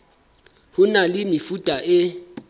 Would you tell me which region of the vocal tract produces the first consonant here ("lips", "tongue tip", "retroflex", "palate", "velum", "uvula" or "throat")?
throat